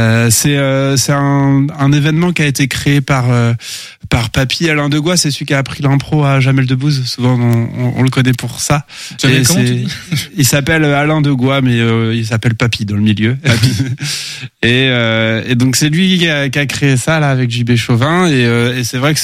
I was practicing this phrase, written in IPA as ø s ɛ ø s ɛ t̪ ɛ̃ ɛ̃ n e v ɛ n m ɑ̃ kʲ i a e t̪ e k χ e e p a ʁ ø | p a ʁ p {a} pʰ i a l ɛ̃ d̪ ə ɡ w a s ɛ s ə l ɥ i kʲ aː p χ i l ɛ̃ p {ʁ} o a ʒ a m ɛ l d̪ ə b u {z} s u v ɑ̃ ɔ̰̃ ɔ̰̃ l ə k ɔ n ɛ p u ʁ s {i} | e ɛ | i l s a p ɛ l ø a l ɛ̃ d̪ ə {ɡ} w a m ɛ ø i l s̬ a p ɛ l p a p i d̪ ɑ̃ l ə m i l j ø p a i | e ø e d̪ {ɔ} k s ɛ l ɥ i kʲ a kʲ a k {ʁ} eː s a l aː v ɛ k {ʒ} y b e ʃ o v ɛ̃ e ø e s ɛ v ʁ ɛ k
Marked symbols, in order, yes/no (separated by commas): yes, no, yes, no, yes, no, no, yes